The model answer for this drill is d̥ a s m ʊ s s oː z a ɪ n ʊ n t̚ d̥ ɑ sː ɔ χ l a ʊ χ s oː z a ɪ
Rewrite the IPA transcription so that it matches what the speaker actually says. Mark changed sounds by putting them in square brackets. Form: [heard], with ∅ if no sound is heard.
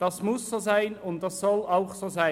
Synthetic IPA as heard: d̥ [ɑ] s m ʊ s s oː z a ɪ n ʊ n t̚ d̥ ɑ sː ɔ [∅] l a ʊ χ s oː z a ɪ